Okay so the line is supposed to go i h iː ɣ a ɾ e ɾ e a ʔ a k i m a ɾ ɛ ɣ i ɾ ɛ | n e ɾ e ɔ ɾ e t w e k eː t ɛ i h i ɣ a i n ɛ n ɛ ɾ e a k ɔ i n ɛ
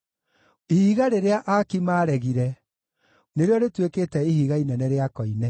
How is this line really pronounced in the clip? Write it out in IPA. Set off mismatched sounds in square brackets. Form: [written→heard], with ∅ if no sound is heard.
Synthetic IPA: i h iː ɣ a ɾ e ɾ e a ʔ a k i m a ɾ ɛ ɣ i ɾ ɛ | n e ɾ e ɔ ɾ e t w e k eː t ɛ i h i ɣ a i n ɛ n ɛ ɾ e a k ɔ i n ɛ